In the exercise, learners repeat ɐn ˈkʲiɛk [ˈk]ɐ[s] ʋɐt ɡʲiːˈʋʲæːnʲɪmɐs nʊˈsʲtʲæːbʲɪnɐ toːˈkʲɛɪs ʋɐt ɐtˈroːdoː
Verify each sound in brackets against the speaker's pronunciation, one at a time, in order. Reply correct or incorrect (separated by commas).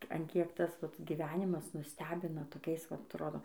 incorrect, correct